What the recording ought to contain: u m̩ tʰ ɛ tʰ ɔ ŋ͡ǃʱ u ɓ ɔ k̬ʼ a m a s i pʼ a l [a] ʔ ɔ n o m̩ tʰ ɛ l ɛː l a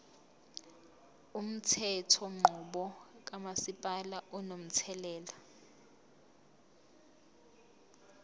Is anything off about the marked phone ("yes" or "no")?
no